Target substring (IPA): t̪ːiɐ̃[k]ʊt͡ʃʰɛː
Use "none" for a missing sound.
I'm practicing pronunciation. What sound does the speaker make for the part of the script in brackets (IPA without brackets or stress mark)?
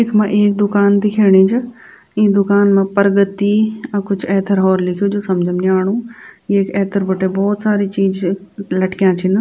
k